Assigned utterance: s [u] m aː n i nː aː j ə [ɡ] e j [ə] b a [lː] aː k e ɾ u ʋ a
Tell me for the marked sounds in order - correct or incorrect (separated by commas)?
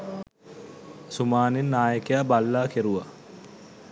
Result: correct, incorrect, incorrect, correct